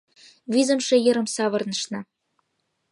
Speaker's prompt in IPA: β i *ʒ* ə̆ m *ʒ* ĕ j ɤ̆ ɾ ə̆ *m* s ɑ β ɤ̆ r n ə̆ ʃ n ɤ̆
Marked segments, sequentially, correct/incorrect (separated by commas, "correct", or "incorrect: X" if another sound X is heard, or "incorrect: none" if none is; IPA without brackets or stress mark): incorrect: z, incorrect: ʃ, correct